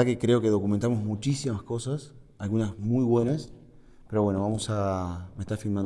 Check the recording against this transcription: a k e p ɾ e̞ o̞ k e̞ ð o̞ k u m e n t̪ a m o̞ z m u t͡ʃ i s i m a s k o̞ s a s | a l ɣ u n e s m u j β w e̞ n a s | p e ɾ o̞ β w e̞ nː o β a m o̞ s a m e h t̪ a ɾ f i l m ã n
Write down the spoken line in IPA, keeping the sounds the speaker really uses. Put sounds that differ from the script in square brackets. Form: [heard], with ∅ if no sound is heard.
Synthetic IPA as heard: a k e [k] ɾ e̞ o̞ k e̞ ð o̞ k u m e n t̪ a m o̞ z m u t͡ʃ i s i m a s k o̞ s a s | a l ɣ u n [a] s m u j β w e̞ n a s | p e ɾ o̞ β w e̞ [n] o β a m o̞ s a m e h t̪ a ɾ f i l m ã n

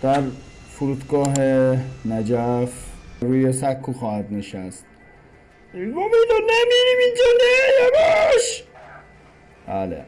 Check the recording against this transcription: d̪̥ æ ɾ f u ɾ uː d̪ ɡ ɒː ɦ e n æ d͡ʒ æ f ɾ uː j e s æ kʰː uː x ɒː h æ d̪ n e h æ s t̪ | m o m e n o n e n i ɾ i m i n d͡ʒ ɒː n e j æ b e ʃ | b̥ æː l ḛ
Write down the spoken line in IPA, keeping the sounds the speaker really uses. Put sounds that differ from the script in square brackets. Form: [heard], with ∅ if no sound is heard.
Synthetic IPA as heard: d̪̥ æ ɾ f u ɾ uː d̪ ɡ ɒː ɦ e n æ d͡ʒ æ f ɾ uː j e s æ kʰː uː x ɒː h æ d̪ n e [ʃ] æ s t̪ | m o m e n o n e [m] i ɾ i m i n d͡ʒ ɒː n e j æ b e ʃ | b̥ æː l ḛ

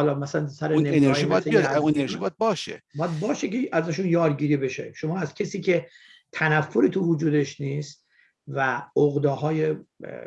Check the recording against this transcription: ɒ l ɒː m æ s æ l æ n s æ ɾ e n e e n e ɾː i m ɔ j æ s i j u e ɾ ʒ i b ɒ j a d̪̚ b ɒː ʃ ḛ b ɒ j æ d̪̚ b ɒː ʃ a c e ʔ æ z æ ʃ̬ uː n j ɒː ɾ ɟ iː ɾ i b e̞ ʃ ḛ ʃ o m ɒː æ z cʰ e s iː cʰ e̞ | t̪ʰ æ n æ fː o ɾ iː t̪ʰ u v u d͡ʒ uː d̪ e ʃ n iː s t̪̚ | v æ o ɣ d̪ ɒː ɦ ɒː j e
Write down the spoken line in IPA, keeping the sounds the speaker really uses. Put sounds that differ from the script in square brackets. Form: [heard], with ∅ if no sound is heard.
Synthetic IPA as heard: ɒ l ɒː m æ s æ l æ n s æ ɾ e n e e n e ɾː i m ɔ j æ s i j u e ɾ ʒ i b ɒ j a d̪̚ b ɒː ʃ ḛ b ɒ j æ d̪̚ b ɒː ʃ [e] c e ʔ æ z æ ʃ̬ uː n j ɒː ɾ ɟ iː ɾ i b e̞ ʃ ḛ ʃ o m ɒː æ z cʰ e s iː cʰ e̞ | t̪ʰ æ n æ fː o ɾ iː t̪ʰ u v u d͡ʒ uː d̪ e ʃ n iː s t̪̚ | v æ o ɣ d̪ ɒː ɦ ɒː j e

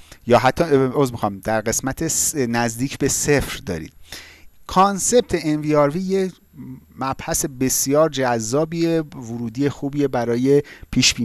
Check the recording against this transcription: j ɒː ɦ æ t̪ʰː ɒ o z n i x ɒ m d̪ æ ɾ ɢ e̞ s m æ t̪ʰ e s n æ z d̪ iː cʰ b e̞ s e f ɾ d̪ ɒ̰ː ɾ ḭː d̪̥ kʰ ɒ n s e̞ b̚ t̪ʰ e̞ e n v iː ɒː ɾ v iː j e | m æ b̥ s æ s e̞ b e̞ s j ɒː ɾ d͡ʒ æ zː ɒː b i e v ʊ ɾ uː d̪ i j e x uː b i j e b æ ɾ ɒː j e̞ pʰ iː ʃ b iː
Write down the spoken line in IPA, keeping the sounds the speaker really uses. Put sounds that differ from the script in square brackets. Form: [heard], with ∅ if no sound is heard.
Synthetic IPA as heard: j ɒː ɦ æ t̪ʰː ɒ o z [m] i x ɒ m d̪ æ ɾ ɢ e̞ s m æ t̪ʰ e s n æ z d̪ iː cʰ b e̞ s e f ɾ d̪ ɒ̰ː ɾ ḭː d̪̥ kʰ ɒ n s e̞ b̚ t̪ʰ e̞ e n v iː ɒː ɾ v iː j e | m æ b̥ [h] æ s e̞ b e̞ s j ɒː ɾ d͡ʒ æ zː ɒː b i e v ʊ ɾ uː d̪ i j e x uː b i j e b æ ɾ ɒː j e̞ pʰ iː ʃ b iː

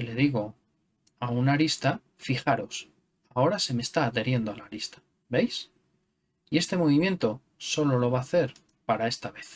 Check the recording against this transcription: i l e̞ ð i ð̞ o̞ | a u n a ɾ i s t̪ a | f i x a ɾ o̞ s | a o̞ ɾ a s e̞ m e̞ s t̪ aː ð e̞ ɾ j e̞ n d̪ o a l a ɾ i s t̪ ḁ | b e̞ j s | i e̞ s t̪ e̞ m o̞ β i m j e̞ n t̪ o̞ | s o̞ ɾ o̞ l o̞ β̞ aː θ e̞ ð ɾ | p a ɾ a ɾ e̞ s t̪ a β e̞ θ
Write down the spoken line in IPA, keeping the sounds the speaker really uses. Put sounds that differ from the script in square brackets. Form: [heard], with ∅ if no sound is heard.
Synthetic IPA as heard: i l e̞ ð i [ɣ̞] o̞ | a u n a ɾ i s t̪ a | f i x a ɾ o̞ s | a o̞ ɾ a s e̞ m e̞ s t̪ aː ð e̞ ɾ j e̞ n d̪ o a l a ɾ i s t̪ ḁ | b e̞ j s | i e̞ s t̪ e̞ m o̞ β i m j e̞ n t̪ o̞ | s o̞ [l] o̞ l o̞ β̞ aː θ e̞ [∅] ɾ | p a ɾ a [∅] e̞ s t̪ a β e̞ θ

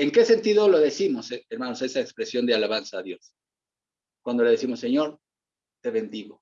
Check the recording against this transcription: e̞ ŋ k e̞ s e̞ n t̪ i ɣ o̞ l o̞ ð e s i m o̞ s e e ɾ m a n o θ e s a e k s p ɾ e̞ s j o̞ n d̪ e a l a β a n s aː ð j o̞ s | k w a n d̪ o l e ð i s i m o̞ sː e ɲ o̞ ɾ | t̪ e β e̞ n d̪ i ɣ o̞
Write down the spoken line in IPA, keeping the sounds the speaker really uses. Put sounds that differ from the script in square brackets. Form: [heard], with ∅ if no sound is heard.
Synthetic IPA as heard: e̞ ŋ k e̞ s e̞ n t̪ i [ð] o̞ l o̞ ð e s i m o̞ s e e ɾ m a n o [s] e s a e k s p ɾ e̞ s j o̞ n d̪ e a l a β a n s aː ð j o̞ s | k w a n d̪ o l e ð [e] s i m o̞ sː e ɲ o̞ ɾ | t̪ e β e̞ n d̪ i ɣ o̞

